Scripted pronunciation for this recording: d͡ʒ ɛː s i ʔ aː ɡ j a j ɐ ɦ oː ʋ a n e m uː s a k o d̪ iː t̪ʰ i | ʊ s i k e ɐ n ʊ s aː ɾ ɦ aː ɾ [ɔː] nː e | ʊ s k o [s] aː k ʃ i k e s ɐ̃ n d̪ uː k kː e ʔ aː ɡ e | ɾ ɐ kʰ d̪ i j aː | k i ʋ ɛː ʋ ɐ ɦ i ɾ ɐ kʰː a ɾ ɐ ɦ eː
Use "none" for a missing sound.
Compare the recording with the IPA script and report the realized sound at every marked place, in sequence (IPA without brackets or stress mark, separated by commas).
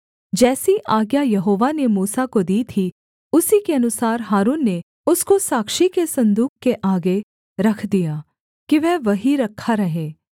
uː, s